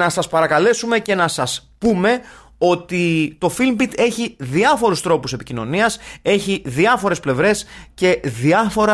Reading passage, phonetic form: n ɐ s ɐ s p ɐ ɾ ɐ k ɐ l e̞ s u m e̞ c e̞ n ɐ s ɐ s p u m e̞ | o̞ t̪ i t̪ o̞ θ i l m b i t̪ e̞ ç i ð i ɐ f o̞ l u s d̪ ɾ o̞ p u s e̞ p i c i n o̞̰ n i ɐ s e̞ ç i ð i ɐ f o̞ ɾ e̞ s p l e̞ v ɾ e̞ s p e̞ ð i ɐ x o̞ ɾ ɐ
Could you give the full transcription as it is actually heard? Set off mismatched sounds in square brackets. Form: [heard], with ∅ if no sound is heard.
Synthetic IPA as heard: n ɐ s ɐ s p ɐ ɾ ɐ k ɐ l e̞ s u m e̞ c e̞ n ɐ s ɐ s p u m e̞ | o̞ t̪ i t̪ o̞ [f] i l m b i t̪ e̞ ç i ð i ɐ f o̞ [ɾ] u s [t̪] ɾ o̞ p u s e̞ p i c i n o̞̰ n i ɐ s e̞ ç i ð i ɐ f o̞ ɾ e̞ s p l e̞ v ɾ e̞ s [c] e̞ ð i ɐ [f] o̞ ɾ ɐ